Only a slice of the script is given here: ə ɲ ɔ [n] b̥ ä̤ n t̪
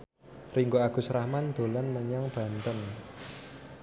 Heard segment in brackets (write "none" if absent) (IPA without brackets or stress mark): ŋ